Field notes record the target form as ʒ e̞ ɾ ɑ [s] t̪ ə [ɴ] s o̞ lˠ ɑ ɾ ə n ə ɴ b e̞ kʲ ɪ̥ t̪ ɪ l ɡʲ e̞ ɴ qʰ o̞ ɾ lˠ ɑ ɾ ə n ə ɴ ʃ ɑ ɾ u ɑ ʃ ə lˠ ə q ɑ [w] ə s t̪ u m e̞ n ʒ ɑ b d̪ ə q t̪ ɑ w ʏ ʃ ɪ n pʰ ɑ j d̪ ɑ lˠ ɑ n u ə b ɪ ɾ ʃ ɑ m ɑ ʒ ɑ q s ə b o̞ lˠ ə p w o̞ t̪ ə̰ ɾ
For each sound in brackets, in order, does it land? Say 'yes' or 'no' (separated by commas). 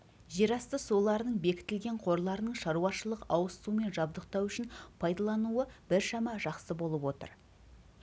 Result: yes, no, yes